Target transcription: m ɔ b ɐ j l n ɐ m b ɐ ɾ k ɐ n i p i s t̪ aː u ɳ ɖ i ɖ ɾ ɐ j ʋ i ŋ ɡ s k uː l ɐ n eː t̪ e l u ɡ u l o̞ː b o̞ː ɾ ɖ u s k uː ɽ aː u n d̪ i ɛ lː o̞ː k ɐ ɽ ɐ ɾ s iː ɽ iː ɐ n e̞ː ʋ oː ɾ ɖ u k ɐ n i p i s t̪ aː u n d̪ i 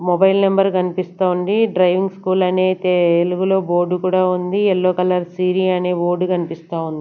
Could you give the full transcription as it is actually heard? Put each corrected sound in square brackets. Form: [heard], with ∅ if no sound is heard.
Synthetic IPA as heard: m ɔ b ɐ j l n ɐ m b ɐ ɾ k ɐ n i p i s t̪ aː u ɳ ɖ i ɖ ɾ ɐ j ʋ i ŋ ɡ s k uː l ɐ n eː t̪ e l u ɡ u l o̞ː b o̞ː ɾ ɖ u [∅] k uː ɽ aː u n d̪ i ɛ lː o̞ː k ɐ [l] ɐ ɾ s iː [ɾ] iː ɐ n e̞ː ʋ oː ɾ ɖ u k ɐ n i p i s t̪ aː u n d̪ i